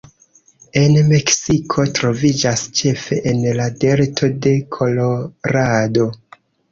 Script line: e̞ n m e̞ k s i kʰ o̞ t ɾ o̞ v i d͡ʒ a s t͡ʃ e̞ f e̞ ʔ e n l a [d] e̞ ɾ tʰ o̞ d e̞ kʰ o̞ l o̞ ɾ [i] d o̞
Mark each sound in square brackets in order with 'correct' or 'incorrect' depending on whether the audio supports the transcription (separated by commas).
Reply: correct, incorrect